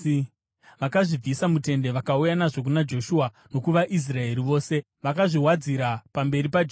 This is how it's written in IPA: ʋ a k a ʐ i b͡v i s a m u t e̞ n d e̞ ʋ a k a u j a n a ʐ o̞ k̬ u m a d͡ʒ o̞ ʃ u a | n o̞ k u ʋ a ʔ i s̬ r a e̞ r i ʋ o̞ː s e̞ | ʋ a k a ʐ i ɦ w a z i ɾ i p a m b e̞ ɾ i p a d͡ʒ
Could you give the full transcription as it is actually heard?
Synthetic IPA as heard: ʋ a k a ʐ i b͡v i s a m u t e̞ n d e̞ ʋ a k a u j a n a ʐ o̞ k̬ u n a d͡ʒ o̞ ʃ u a | n o̞ k u ʋ a ʔ i s̬ r a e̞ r i ʋ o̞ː s e̞ | ʋ a k a ʐ i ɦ w a d͡z i ɾ a p a m b e̞ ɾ i p a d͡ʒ